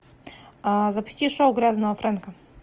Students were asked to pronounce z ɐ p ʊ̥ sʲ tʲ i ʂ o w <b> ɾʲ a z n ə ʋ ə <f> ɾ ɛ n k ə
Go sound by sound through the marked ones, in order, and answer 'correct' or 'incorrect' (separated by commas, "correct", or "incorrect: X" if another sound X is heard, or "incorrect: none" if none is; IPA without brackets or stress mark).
incorrect: ɡ, correct